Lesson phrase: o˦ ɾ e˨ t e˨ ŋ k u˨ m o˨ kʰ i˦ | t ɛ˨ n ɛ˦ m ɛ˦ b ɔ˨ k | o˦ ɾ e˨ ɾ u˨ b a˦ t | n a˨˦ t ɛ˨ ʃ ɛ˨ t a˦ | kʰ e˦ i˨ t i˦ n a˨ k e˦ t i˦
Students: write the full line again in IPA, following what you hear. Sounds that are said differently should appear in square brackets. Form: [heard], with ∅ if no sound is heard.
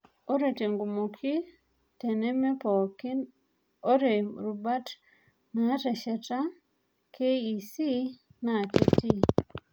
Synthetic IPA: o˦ ɾ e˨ t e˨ ŋ [ɡ] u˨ m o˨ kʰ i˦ | t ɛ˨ n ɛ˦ m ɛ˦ [p] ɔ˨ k | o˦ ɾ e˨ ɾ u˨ b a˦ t | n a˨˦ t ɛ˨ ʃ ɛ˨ t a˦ | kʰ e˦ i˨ [s] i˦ n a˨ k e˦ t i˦